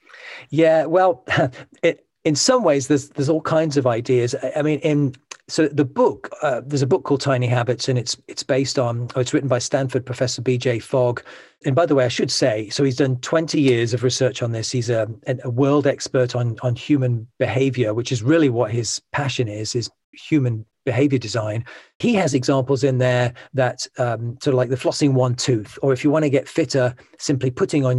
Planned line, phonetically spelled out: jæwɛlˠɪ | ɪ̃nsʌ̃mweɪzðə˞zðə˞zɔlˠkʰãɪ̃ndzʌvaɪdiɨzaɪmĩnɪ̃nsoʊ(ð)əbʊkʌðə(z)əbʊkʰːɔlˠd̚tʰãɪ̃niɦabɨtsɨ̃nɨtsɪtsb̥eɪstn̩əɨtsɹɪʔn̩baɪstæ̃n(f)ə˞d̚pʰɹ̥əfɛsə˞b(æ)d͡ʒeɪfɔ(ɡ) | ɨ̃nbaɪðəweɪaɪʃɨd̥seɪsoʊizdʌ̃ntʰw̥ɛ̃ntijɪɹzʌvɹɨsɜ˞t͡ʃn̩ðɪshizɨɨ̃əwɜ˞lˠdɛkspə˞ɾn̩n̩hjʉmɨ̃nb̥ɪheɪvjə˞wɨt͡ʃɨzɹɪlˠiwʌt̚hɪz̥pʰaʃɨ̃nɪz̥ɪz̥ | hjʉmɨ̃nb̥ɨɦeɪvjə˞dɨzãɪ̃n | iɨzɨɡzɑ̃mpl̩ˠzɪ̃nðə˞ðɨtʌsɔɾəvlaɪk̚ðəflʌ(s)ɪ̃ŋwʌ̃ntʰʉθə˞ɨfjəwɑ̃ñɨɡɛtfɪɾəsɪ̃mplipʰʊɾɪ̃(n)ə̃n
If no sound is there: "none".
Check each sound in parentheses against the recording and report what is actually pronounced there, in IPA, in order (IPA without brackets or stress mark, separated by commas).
ð, z, f, i, ɡ, s, ŋ